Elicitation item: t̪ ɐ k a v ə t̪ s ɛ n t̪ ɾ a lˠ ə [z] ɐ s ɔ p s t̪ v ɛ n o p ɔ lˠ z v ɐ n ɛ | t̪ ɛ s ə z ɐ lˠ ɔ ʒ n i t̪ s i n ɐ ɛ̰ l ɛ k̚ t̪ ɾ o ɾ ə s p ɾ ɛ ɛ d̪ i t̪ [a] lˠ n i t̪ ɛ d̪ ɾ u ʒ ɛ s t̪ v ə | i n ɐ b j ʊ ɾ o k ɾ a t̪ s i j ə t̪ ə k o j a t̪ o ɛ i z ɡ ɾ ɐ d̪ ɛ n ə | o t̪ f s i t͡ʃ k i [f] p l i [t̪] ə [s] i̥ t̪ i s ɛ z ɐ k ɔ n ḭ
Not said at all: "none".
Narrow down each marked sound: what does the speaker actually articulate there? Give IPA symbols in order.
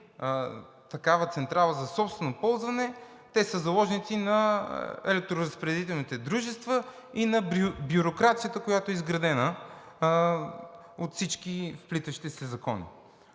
z, ɛ, f, t̪, ʃ

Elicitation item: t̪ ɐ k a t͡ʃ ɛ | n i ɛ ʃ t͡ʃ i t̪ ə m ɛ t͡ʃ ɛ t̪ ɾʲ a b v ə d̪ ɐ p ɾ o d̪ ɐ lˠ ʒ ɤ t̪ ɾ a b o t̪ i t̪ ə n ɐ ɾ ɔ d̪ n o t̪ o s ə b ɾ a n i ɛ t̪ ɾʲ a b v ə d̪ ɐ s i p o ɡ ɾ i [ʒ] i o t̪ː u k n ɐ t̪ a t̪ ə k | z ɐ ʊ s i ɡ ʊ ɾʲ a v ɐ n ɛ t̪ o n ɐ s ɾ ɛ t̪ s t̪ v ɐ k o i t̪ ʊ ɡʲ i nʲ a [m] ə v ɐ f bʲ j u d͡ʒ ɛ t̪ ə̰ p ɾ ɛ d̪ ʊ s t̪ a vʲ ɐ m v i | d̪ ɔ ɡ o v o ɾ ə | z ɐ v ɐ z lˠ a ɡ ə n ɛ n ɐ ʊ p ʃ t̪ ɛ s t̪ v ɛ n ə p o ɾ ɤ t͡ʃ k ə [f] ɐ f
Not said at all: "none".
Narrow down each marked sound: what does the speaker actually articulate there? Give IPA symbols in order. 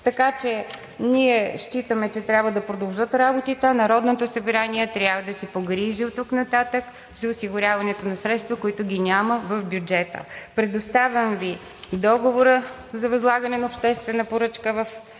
ʒ, m, v

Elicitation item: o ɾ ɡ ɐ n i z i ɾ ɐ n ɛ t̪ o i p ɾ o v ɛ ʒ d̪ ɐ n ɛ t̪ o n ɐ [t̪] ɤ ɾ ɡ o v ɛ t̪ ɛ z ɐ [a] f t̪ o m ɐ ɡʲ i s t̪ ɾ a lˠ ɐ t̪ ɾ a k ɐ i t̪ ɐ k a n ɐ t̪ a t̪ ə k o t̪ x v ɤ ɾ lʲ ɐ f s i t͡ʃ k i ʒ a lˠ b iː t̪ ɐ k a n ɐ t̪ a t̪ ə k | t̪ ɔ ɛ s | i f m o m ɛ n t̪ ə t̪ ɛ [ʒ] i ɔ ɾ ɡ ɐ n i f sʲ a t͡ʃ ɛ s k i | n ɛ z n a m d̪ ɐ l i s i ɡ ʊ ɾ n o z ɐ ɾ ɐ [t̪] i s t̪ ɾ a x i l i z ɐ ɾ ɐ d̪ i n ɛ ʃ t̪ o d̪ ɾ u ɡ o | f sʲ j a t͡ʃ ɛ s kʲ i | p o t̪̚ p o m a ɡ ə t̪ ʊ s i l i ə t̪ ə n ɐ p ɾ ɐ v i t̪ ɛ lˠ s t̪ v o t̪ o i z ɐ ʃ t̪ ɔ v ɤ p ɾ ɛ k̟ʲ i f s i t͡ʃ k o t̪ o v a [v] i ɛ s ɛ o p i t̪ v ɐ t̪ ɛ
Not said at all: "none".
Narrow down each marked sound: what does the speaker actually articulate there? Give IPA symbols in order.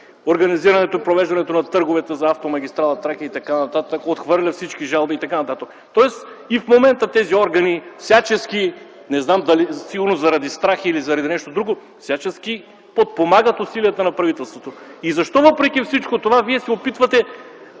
t̪, a, z, d̪, v

